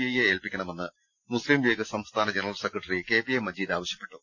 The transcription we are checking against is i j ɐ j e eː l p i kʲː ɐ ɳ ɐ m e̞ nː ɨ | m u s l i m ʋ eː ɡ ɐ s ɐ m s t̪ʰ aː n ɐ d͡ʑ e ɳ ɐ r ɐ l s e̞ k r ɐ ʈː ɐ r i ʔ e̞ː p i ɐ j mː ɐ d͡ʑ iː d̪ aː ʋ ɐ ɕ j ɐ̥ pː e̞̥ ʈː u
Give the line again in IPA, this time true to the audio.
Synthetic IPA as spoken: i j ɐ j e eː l p i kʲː ɐ ɳ ɐ m e̞ nː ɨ | m u s l i m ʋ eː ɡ ɐ s ɐ m s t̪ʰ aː n ɐ d͡ʑ e n ɐ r ɐ l s e̞ k r ɐ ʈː ɐ r i k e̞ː p i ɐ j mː ɐ d͡ʑ iː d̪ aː ʋ ɐ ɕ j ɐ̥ pː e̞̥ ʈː u